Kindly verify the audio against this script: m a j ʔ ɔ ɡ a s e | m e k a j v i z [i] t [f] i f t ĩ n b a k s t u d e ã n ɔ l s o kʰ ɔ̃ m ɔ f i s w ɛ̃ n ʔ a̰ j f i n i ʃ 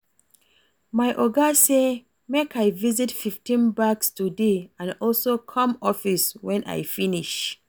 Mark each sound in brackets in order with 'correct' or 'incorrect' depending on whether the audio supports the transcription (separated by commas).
correct, correct